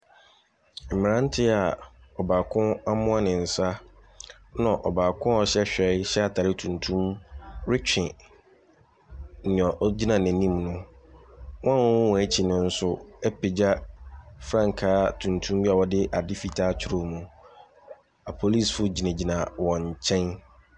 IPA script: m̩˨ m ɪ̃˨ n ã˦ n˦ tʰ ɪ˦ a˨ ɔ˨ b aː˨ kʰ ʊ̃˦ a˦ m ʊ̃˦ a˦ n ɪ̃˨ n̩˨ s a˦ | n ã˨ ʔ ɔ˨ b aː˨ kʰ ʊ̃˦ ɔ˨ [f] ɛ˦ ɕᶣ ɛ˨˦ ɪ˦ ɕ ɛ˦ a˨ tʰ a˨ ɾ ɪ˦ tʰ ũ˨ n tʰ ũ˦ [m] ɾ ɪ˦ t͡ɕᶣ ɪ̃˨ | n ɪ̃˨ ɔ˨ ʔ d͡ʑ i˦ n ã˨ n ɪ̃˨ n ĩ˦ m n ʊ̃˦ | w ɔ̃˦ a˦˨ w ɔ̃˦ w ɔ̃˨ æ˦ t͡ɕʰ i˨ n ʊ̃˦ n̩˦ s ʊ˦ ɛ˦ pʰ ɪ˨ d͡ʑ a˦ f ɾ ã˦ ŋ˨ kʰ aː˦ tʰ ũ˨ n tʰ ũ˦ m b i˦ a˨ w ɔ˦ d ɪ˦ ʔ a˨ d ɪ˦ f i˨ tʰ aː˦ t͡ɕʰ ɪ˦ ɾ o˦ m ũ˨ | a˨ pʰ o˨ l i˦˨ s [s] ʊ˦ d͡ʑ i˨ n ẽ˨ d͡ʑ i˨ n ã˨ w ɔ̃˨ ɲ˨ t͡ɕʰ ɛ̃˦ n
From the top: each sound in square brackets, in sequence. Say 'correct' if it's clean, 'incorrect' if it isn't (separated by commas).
incorrect, correct, incorrect